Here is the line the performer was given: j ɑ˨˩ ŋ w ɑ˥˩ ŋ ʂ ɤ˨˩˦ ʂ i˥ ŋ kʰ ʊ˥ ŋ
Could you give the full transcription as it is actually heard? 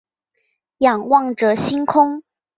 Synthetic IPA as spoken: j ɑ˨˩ ŋ w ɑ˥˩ ŋ ʈ͡ʂ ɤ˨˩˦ ɕ i˥ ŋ kʰ ʊ˥ ŋ

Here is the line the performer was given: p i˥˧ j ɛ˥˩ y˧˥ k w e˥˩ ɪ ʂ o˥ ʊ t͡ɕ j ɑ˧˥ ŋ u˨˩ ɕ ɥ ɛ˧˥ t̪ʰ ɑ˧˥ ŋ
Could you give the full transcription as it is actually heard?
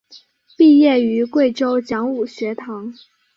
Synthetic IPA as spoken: p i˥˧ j ɛ˥˩ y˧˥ k w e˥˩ ɪ ʈ͡ʂ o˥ ʊ t͡ɕ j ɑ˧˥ ŋ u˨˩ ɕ ɥ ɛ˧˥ t̪ʰ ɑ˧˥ ŋ

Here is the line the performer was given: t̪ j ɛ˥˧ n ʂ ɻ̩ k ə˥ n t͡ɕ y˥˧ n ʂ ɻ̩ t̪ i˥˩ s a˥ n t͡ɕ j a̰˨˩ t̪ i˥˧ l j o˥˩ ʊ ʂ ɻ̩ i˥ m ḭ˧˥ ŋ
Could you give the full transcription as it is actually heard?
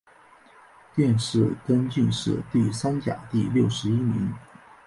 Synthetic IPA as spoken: t̪ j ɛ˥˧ n ʂ ɻ̩ k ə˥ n t͡ɕ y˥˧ n ʂ ɻ̩ t̪ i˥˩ s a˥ n t͡ɕ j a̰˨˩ t̪ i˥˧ l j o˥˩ ʊ ʂ ɻ̩ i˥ m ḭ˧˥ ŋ

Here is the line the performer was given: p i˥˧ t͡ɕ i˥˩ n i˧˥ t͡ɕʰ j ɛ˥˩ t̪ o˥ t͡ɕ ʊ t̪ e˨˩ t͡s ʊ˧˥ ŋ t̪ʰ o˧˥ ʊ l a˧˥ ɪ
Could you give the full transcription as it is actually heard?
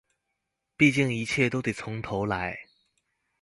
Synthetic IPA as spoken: p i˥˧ t͡ɕ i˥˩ ŋ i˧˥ t͡ɕʰ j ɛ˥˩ t̪ o˥ ʊ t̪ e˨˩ t͡sʰ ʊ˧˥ ŋ t̪ʰ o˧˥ ʊ l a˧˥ ɪ

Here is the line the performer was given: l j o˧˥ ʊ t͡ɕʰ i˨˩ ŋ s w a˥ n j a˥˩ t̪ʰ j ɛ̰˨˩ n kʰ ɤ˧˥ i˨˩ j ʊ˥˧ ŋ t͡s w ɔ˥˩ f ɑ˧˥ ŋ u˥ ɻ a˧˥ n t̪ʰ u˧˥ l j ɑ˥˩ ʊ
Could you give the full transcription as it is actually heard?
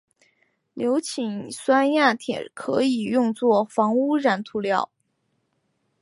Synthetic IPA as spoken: l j o˧˥ ʊ t͡ɕʰ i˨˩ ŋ s w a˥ n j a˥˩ t̪ʰ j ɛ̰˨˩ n kʰ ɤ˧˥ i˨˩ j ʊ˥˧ ŋ t͡s w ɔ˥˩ f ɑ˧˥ ŋ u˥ ɻ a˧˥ n t̪ʰ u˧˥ l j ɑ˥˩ ʊ

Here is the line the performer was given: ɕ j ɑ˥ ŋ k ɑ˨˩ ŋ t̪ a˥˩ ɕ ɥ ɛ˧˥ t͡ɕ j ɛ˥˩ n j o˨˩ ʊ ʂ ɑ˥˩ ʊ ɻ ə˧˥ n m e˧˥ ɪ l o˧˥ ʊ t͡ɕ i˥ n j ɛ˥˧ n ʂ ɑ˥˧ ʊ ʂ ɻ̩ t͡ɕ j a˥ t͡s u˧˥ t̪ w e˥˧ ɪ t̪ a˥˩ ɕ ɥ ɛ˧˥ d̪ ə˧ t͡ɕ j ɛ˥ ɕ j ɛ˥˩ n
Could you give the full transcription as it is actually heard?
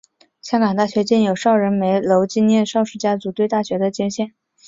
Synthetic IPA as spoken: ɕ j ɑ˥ ŋ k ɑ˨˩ ŋ t̪ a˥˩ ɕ ɥ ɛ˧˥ t͡ɕ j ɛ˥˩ n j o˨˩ ʊ ʂ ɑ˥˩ ʊ ɻ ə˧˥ n m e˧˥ ɪ l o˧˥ ʊ t͡ɕ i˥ n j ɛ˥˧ n ʂ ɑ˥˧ ʊ ʂ ɻ̩ t͡ɕ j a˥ t͡s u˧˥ t̪ w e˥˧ ɪ t̪ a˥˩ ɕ ɥ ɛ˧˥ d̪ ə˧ t͡ɕ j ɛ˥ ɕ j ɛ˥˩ n

